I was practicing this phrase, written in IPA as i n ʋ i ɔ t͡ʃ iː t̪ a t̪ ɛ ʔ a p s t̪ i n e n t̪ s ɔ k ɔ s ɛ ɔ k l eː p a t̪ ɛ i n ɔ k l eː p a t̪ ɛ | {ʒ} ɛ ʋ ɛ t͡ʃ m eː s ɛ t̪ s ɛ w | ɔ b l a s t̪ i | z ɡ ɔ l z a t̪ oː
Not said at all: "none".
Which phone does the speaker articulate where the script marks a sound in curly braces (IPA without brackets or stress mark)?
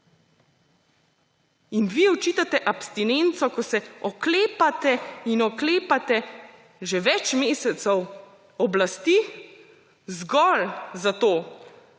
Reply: ʒ